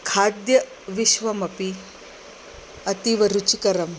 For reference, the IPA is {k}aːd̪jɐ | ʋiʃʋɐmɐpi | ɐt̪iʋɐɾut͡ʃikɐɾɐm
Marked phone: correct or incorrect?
incorrect